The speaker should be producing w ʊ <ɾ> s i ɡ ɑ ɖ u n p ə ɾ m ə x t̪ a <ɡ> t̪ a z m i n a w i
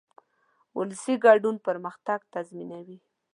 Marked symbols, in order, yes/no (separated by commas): no, yes